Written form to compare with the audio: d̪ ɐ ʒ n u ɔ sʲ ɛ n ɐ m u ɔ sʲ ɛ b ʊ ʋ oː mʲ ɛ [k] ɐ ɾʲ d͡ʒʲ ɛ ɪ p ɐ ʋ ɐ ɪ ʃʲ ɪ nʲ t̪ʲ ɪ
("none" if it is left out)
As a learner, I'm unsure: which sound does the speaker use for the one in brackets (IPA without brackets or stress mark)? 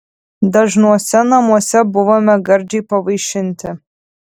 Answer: ɡ